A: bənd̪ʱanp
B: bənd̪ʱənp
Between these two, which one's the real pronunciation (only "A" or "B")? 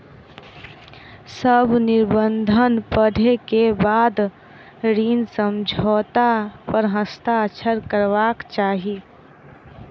B